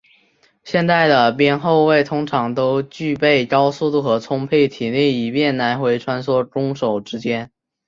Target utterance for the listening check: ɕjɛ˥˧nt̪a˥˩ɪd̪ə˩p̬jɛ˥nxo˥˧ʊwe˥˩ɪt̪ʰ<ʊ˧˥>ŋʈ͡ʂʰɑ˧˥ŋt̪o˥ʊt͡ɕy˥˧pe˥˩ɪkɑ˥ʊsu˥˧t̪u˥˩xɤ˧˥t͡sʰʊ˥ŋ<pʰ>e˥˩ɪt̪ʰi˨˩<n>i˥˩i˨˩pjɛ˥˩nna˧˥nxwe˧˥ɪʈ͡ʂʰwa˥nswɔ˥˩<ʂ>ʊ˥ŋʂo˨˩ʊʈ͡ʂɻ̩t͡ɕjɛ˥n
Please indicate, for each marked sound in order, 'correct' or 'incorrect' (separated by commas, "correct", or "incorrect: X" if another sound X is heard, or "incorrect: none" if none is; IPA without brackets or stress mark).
incorrect: ʊ˥, correct, correct, incorrect: ʈ͡ʂ